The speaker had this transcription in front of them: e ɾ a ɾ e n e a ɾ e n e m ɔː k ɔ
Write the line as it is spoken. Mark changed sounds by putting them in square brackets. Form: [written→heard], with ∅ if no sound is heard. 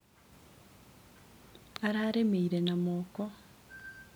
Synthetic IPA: [e→a] ɾ a ɾ e [n→m] e [a→i] ɾ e n [e→a] m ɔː k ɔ